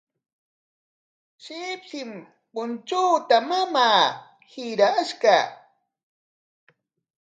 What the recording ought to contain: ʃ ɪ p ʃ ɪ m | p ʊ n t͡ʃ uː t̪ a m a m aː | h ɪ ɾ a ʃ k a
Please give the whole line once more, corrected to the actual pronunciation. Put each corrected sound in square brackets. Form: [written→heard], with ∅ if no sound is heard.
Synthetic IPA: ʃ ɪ p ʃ ɪ m | p ʊ n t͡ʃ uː t̪ a m a m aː | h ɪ ɾ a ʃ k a